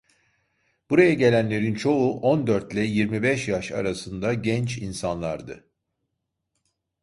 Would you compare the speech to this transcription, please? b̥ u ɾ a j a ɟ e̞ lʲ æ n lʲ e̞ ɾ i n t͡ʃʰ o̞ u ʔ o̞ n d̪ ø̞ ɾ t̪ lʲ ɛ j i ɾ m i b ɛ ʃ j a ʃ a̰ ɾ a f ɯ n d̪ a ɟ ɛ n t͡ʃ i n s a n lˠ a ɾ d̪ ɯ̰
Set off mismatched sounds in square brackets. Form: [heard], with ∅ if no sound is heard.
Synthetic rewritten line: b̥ u ɾ a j a ɟ e̞ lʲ æ n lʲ e̞ ɾ i n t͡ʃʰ o̞ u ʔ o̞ n d̪ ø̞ ɾ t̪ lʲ ɛ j i ɾ m i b ɛ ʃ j a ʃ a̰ ɾ a [s] ɯ n d̪ a ɟ ɛ n t͡ʃ i n s a n lˠ a ɾ d̪ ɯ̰